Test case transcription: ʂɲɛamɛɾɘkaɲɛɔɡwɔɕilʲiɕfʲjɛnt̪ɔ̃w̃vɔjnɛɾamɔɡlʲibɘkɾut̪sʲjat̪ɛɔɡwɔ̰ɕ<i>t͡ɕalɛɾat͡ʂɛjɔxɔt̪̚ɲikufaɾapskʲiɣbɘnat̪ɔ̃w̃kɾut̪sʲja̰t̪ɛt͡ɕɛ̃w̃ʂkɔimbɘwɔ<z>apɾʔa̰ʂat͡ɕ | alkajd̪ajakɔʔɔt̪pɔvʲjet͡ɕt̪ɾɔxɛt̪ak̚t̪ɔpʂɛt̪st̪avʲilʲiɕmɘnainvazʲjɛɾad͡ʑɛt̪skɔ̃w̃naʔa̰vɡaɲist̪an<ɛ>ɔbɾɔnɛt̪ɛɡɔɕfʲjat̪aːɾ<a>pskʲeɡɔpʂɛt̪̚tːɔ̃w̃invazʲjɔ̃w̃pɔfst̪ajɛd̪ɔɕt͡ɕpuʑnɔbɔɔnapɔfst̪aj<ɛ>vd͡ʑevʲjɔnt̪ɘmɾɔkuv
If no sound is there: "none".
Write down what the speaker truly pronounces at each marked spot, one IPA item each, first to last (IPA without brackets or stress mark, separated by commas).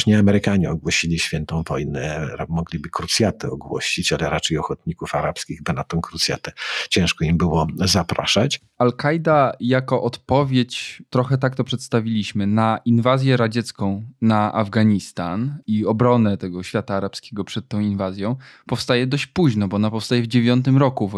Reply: i, z, i, a, ɛ